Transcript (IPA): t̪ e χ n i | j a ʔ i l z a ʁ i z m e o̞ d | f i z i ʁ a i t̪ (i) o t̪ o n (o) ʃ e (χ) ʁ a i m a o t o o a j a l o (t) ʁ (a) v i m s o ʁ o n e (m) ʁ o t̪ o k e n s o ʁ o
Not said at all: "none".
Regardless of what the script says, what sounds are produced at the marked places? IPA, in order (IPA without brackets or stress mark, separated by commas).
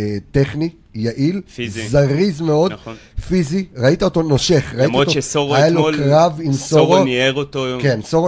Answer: a, o, χ, k, a, none